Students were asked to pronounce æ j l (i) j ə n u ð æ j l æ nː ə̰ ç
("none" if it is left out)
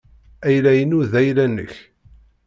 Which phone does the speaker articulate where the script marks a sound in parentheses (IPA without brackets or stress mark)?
æ